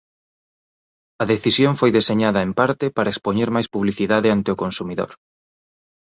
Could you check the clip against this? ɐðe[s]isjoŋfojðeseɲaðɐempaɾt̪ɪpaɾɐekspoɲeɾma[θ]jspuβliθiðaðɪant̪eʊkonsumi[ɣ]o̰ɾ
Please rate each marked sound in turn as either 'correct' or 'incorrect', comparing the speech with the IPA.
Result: incorrect: θ, incorrect: none, incorrect: ð

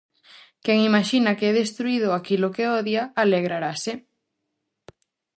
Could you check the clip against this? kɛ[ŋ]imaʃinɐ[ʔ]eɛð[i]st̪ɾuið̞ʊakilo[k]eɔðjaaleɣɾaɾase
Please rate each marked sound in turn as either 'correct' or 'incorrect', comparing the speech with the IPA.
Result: correct, incorrect: k, incorrect: e, correct

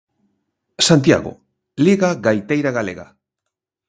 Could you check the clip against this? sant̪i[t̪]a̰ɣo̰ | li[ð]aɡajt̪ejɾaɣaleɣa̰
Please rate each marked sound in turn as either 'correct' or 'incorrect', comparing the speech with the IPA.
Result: incorrect: none, incorrect: ɣ

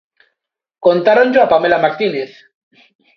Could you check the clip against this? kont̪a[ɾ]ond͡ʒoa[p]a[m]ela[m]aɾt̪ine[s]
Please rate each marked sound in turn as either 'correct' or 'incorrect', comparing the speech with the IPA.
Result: correct, correct, correct, correct, incorrect: θ

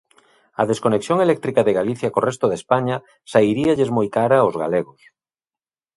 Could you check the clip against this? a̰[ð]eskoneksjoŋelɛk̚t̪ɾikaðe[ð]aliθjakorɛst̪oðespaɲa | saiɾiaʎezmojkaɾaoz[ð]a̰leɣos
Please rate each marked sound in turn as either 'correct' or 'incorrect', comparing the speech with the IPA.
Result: correct, incorrect: ɣ, incorrect: ɣ

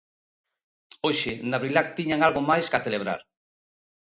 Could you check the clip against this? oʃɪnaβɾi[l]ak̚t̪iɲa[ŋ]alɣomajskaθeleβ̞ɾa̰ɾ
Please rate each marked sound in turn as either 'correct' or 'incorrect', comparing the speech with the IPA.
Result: correct, correct

